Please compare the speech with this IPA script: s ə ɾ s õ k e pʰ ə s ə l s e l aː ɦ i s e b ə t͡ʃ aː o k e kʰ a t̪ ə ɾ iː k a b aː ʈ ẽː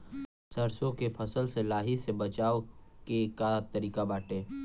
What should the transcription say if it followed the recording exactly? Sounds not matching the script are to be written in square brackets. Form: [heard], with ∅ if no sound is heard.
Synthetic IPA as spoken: s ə ɾ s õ k e pʰ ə s ə l s e l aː ɦ i s e b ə t͡ʃ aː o k e [k] a t̪ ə ɾ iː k a b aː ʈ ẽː

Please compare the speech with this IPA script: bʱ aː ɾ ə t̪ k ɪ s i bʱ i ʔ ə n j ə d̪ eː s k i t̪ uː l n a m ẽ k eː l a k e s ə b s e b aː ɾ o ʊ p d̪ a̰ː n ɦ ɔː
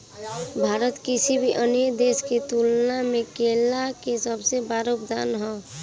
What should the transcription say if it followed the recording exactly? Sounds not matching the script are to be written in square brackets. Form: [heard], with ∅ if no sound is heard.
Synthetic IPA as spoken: bʱ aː ɾ ə t̪ k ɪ s i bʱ i ʔ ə n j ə d̪ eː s k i t̪ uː l n a m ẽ k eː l a k e s ə b s e b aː ɾ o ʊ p d̪ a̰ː n ɦ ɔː

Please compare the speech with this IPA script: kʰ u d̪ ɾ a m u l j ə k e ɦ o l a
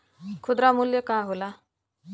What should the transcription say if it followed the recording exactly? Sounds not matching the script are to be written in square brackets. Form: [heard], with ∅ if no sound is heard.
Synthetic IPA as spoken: kʰ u d̪ ɾ a m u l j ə k [a] ɦ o l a

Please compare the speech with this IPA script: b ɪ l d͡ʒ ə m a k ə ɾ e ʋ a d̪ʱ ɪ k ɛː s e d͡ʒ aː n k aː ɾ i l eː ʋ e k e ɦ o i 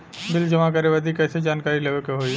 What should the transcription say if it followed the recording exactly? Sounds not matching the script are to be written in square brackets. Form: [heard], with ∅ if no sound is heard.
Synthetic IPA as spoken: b ɪ l d͡ʒ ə m a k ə ɾ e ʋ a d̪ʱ [i] k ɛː s e d͡ʒ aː n k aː ɾ i l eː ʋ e k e ɦ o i

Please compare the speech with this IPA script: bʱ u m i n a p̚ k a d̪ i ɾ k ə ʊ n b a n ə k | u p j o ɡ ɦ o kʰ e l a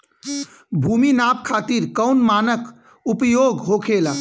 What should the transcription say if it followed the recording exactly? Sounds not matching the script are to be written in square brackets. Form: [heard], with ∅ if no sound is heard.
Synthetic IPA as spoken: bʱ u m i n a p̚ [kʰ] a [t̪] i ɾ k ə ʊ n [m] a n ə k | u p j o ɡ ɦ o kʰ e l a

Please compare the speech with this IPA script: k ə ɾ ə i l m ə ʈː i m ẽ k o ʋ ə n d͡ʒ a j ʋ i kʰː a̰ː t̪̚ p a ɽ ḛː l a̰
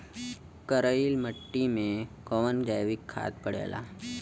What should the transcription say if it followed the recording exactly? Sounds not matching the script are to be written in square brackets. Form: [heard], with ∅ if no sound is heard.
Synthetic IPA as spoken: k ə ɾ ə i l m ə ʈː i m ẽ k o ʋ ə n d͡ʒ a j ʋ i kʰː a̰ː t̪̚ p [ə] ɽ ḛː l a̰

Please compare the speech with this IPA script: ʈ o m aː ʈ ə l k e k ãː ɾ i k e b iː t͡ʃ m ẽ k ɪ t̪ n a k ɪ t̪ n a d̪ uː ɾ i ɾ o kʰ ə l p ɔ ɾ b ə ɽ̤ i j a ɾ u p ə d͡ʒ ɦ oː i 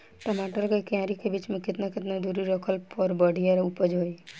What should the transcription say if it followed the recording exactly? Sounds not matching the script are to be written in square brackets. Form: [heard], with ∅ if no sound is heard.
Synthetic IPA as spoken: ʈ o m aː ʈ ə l k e k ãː ɾ i k e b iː t͡ʃ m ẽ k ɪ t̪ n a k ɪ t̪ n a d̪ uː ɾ i ɾ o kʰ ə l p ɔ ɾ b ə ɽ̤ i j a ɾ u p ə d͡ʒ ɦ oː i

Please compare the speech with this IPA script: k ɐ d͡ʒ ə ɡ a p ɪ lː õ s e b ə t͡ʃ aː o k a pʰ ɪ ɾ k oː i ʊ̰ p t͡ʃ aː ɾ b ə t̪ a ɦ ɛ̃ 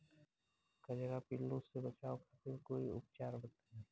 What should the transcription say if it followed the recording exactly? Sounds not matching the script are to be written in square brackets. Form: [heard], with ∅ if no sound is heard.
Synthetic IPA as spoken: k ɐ d͡ʒ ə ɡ a p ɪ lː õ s e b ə t͡ʃ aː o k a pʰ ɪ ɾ k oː i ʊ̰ p t͡ʃ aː ɾ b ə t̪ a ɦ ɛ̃

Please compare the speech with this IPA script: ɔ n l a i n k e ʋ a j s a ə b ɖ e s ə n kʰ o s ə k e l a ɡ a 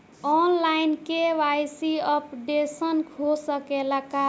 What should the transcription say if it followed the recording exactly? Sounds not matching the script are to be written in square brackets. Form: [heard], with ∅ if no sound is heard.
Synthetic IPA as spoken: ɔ n l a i n k e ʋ a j s [i] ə [p] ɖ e s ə n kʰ o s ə k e l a [k] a

